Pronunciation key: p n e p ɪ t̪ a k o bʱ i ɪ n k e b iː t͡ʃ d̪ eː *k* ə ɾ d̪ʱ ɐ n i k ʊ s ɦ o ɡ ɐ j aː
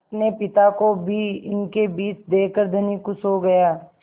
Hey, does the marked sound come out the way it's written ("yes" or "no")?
yes